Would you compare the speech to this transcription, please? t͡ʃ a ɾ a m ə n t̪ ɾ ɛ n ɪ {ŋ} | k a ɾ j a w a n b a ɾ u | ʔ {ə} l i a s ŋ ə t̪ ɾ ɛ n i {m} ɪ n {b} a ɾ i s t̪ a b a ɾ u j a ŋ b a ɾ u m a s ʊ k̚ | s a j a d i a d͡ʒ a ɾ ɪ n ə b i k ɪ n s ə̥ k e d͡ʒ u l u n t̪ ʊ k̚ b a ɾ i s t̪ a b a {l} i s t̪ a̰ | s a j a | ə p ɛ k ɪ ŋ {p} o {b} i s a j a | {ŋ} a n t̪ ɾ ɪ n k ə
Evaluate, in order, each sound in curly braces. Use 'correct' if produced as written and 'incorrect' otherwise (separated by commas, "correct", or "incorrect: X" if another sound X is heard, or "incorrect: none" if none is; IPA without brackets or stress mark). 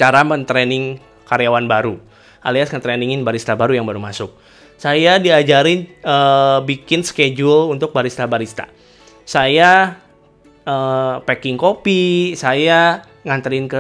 correct, incorrect: a, incorrect: ŋ, correct, incorrect: ɾ, incorrect: k, incorrect: p, correct